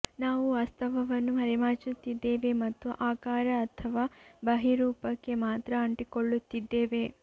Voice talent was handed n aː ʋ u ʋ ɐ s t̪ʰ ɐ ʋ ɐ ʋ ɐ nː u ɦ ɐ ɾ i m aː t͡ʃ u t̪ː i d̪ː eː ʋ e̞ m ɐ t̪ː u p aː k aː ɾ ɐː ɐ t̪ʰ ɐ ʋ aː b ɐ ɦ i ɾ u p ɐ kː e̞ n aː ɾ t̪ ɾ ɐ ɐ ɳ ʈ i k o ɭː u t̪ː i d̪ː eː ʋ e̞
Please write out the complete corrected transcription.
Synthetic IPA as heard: n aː ʋ u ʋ ɐ s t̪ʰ ɐ ʋ ɐ ʋ ɐ nː u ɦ ɐ ɾ i m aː t͡ʃ u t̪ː i d̪ː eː ʋ e̞ m ɐ t̪ː u ʔ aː k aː ɾ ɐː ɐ t̪ʰ ɐ ʋ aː b ɐ ɦ i ɾ uː p ɐ kː e̞ m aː t̪ ɾ ɐ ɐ ɳ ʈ i k o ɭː u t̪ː i d̪ː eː ʋ e̞